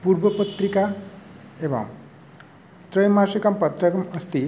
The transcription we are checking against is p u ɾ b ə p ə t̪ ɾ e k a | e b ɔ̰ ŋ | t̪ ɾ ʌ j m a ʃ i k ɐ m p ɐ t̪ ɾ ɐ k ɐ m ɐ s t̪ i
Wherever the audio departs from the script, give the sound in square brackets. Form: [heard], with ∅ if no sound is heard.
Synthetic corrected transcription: p u ɾ b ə p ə t̪ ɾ [i] k a | e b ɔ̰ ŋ | t̪ ɾ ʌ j m a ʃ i k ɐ m p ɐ t̪ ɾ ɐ k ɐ m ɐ s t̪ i